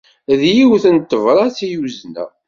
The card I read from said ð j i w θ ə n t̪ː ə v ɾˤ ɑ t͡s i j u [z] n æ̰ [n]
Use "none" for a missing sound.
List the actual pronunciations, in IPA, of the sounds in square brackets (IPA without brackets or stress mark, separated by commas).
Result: z, none